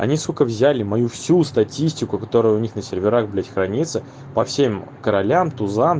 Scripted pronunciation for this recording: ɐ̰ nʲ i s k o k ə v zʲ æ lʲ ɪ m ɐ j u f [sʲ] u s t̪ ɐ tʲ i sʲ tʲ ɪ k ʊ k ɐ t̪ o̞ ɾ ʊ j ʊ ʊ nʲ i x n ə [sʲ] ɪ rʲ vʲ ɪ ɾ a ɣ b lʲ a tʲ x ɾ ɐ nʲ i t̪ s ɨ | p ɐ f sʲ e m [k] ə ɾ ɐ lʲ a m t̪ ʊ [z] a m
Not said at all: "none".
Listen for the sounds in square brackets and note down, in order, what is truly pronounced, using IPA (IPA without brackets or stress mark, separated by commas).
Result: sʲ, sʲ, k, z